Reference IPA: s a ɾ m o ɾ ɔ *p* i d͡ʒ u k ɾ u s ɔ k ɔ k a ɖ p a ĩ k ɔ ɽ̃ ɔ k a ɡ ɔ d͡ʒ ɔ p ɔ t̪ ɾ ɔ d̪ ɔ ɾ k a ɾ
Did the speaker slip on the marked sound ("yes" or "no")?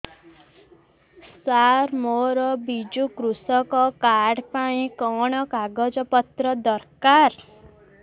yes